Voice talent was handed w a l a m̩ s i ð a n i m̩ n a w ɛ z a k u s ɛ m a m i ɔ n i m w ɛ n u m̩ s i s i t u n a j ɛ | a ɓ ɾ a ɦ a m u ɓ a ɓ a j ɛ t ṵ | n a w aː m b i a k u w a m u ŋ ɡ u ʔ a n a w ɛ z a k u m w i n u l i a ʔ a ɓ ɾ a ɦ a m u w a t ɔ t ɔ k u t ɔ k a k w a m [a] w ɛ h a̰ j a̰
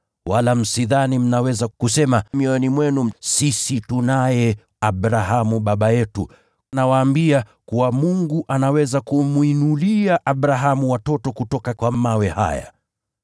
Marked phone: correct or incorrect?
correct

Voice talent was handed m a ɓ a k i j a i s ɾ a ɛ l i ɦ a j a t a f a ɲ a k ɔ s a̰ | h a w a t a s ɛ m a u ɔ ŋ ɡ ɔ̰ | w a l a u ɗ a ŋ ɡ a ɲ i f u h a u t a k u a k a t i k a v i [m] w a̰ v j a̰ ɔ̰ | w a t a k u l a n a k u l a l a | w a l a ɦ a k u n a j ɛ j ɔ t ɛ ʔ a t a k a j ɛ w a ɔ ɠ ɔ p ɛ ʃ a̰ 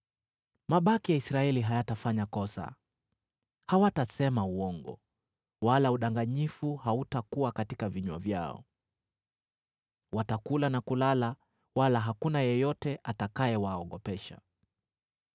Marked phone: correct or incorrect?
incorrect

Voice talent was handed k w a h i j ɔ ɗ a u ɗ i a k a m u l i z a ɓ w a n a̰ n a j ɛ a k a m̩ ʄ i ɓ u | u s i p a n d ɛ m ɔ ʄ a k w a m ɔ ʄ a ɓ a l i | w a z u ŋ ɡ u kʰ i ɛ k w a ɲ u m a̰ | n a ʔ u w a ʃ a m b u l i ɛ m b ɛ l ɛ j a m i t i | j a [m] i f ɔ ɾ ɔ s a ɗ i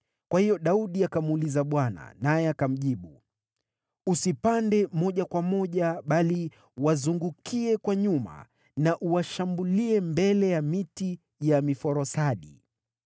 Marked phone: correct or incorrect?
correct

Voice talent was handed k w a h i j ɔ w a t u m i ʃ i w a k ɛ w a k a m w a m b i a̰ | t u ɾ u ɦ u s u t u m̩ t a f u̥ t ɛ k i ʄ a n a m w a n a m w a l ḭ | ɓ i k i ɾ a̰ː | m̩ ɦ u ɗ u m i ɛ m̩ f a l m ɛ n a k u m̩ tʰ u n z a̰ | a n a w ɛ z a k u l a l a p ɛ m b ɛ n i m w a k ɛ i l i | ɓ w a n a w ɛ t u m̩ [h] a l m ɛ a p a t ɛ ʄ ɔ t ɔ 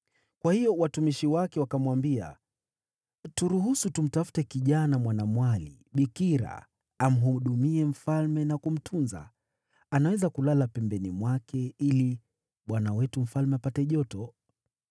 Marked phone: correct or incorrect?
incorrect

